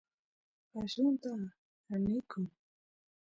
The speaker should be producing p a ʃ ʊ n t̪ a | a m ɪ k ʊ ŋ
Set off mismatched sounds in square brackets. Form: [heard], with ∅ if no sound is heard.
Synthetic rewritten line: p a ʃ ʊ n t̪ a | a [n] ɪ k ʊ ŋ